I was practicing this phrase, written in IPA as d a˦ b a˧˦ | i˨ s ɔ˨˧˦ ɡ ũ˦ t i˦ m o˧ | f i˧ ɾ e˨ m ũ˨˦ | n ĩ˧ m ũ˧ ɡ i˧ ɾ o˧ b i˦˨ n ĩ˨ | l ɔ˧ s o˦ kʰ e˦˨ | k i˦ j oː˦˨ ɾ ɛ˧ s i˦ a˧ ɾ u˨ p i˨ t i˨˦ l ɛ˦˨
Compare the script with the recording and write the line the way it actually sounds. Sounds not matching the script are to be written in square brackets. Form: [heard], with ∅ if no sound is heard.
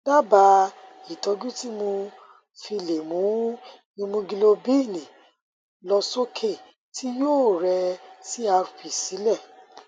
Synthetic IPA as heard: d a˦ b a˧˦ | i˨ [t] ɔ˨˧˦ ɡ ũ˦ t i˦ m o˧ | f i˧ [l] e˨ m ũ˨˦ | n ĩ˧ m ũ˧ ɡ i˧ [l] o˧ b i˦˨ n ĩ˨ | l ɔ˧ s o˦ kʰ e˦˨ | [t] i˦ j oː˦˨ ɾ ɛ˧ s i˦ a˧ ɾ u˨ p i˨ [s] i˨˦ l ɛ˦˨